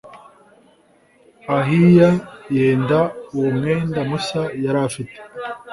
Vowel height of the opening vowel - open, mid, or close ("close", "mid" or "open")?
open